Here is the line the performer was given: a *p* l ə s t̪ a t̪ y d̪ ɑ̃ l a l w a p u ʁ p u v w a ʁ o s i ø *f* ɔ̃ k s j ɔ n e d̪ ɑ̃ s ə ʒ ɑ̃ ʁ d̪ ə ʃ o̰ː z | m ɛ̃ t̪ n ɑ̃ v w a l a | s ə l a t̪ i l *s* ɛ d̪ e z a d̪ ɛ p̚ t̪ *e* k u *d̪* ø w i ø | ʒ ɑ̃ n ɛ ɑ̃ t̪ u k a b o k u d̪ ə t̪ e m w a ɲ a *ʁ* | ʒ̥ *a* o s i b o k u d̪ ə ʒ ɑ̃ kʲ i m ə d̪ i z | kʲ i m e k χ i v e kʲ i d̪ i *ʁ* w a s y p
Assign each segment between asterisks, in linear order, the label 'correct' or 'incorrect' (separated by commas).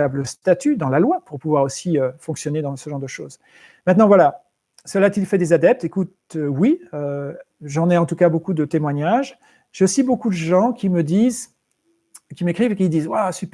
incorrect, correct, incorrect, correct, incorrect, incorrect, incorrect, incorrect